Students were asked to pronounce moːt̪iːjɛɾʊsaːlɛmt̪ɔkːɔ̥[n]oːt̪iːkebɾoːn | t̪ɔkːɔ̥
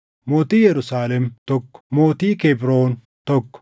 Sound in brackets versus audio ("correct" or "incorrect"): incorrect